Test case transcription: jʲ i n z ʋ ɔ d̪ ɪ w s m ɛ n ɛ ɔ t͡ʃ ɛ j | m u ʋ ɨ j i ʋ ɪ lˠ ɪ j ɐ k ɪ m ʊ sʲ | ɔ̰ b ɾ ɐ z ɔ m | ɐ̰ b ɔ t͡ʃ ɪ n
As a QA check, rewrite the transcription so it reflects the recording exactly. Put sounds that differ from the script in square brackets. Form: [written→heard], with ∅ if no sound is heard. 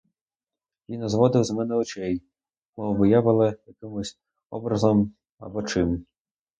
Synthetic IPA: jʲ i n z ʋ ɔ d̪ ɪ w [s→z] m ɛ n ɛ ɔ t͡ʃ ɛ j | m [u→ɔ] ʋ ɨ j [i→a] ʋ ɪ lˠ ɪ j ɐ k ɪ m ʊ sʲ | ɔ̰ b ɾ ɐ z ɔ m | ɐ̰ b ɔ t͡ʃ ɪ [n→m]